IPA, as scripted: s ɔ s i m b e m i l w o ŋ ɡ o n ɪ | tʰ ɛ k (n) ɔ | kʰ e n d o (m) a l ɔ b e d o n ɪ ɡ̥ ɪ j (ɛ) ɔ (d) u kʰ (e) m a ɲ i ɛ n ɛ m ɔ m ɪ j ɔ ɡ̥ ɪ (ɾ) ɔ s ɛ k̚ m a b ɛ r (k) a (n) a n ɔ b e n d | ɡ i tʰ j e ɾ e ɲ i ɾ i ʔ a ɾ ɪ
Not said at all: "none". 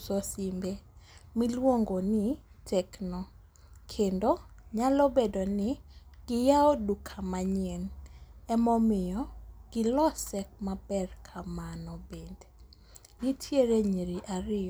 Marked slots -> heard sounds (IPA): n, ɲ, a, d, a, l, kʰ, m

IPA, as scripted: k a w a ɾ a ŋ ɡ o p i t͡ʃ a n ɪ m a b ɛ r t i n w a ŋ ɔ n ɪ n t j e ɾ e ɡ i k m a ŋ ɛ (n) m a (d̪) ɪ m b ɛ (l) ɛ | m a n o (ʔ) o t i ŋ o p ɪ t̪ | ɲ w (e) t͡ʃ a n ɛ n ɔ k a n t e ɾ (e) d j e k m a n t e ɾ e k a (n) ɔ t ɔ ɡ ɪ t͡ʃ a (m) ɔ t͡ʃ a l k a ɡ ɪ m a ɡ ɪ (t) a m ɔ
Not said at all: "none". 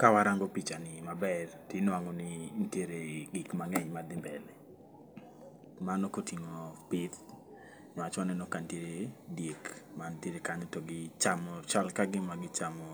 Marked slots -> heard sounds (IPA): ɲ, d̪, l, k, a, e, ɲ, m, t͡ʃ

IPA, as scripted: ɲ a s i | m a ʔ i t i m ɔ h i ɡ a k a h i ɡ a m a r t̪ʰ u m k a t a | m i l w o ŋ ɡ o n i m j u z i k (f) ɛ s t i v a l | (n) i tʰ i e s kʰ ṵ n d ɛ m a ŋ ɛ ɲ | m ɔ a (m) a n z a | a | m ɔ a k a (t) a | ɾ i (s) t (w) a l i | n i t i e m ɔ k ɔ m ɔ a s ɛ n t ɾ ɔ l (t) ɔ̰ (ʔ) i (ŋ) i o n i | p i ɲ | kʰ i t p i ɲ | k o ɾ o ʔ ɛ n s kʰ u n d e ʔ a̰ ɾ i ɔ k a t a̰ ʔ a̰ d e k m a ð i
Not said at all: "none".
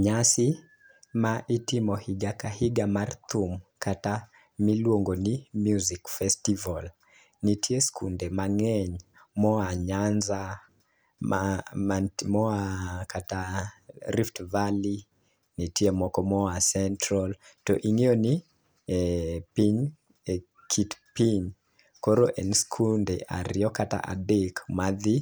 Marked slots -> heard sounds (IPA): f, n, ɲ, t, f, v, t, ʔ, ŋ

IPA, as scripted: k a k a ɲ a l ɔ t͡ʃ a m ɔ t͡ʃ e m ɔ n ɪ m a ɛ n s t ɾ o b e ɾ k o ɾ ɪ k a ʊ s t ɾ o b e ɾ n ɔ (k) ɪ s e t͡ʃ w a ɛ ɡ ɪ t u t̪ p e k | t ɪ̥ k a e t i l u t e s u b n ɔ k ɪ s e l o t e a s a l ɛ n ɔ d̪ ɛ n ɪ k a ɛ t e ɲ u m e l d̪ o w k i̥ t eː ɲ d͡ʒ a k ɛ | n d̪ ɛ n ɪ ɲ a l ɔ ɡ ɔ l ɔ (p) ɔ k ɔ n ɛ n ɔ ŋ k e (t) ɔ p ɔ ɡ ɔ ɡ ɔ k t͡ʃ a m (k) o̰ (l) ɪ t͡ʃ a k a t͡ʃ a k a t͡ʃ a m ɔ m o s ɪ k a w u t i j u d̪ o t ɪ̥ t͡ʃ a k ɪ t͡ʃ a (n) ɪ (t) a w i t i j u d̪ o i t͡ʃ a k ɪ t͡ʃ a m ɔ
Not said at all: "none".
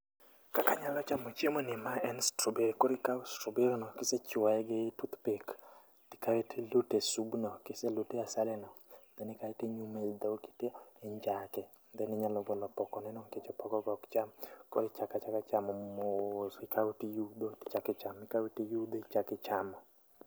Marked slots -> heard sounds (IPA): k, p, t͡ʃ, k, ɾ, m, k

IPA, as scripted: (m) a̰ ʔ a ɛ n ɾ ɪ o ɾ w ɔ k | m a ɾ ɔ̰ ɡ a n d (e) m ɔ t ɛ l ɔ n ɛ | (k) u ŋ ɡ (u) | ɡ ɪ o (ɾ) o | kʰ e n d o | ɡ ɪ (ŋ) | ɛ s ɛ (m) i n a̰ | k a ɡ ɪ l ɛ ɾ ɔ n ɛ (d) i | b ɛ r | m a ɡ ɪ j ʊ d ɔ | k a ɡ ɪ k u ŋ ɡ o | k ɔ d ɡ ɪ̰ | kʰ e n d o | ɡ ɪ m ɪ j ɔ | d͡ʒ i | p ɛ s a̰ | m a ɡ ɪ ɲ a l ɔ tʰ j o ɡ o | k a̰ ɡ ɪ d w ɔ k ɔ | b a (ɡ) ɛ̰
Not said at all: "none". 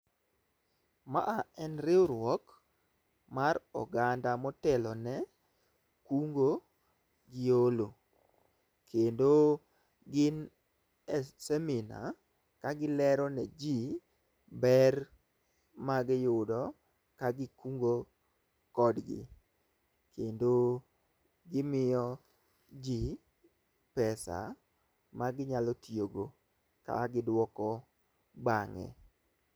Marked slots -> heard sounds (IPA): m, a, k, o, l, n, m, d͡ʒ, ŋ

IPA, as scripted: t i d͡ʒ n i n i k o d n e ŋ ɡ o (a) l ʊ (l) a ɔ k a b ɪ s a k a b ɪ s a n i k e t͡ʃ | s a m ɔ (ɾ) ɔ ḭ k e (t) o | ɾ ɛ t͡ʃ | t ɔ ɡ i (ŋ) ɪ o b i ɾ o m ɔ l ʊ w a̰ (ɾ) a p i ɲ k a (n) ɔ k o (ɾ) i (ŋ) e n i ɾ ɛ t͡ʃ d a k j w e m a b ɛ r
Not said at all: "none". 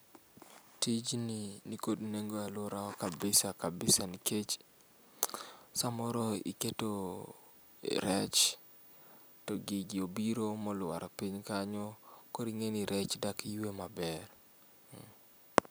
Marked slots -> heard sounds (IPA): a, ɾ, ɾ, t, ɡ, ɾ, ɲ, ɾ, ŋ

